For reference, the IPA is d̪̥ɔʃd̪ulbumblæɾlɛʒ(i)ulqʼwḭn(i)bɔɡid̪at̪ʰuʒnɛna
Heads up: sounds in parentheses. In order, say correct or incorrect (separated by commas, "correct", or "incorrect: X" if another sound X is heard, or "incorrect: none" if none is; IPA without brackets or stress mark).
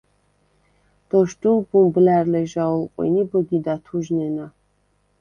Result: incorrect: a, correct